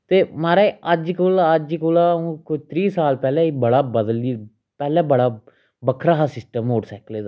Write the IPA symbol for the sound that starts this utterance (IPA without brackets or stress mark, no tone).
t̪